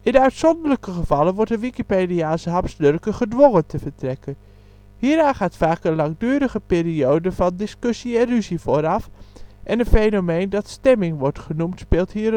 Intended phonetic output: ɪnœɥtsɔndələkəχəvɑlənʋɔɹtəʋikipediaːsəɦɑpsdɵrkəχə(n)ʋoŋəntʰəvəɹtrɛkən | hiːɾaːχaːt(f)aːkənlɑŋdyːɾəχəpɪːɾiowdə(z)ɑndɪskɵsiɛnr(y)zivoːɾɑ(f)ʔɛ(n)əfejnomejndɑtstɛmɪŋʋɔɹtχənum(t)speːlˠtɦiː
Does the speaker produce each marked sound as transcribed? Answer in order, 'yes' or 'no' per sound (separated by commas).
no, yes, no, yes, yes, yes, yes